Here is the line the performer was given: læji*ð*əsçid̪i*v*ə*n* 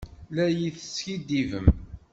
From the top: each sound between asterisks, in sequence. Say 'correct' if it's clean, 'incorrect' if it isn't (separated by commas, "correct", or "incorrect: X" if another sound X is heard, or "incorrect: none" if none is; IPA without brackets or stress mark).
incorrect: θ, correct, incorrect: m